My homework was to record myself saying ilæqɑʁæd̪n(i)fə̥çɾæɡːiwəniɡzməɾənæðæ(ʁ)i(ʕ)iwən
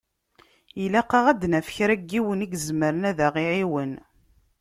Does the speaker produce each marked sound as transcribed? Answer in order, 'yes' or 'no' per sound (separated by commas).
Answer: no, yes, yes